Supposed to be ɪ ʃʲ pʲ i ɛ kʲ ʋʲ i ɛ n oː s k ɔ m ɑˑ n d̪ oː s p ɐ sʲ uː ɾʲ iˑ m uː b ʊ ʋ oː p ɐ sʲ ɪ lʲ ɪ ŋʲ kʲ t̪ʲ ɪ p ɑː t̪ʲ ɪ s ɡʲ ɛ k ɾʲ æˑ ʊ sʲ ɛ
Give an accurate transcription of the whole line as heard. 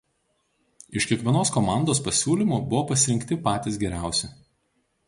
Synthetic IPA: ɪ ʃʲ kʲ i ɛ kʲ ʋʲ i ɛ n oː s k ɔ m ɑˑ n d̪ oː s p ɐ sʲ uː lʲ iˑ m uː b ʊ ʋ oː p ɐ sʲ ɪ ɾʲ ɪ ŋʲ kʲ t̪ʲ ɪ p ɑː t̪ʲ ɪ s ɡʲ ɛ ɾʲ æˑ ʊ sʲ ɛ